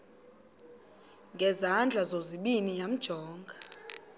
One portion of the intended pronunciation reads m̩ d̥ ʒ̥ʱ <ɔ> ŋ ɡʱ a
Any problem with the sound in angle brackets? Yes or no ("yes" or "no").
yes